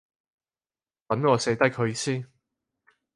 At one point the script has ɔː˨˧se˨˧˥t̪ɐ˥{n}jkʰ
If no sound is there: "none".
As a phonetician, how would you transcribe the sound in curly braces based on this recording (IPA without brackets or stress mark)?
none